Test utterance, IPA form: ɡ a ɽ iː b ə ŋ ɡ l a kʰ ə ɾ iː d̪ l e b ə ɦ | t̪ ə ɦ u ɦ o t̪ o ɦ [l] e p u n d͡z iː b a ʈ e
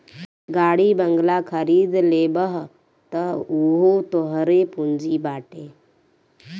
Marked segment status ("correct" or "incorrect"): incorrect